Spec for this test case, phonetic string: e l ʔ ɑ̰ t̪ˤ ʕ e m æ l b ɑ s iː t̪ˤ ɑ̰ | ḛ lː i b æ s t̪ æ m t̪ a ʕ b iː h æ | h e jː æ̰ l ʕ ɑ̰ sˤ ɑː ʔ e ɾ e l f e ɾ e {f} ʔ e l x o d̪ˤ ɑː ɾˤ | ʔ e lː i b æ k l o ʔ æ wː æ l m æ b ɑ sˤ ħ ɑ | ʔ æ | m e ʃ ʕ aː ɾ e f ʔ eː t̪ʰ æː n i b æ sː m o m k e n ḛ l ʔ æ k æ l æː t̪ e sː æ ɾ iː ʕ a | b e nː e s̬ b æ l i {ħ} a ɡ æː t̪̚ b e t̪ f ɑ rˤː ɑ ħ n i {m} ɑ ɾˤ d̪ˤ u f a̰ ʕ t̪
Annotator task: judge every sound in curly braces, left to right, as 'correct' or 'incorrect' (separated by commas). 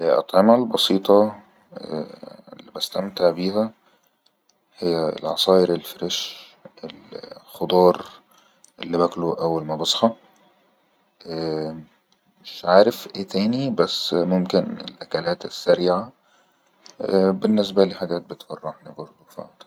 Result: incorrect, correct, incorrect